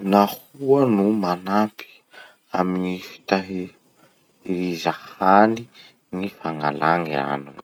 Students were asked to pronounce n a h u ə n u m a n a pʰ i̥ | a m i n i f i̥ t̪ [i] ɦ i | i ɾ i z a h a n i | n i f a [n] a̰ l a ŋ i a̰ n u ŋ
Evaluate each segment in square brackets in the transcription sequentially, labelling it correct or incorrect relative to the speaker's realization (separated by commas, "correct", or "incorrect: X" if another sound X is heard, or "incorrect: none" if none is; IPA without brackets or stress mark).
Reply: incorrect: a, incorrect: ŋ